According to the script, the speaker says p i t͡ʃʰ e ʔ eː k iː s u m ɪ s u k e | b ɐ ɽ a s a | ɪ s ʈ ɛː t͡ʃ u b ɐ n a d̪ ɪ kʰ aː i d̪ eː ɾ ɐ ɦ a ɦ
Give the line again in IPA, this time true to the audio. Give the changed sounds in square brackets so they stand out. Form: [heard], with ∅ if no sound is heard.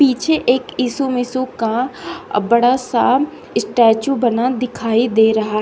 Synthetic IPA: p [iː] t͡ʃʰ e ʔ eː k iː s u m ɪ s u k [a] | b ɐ ɽ a s a | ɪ s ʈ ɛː t͡ʃ u b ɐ n a d̪ ɪ kʰ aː i d̪ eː ɾ ɐ ɦ a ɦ